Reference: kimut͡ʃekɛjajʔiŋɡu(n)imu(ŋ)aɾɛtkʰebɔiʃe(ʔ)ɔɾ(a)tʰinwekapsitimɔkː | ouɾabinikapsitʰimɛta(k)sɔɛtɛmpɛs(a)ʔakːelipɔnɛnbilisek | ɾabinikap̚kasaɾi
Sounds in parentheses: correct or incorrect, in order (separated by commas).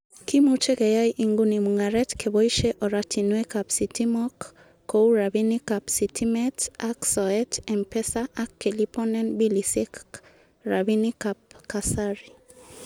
correct, correct, correct, correct, correct, correct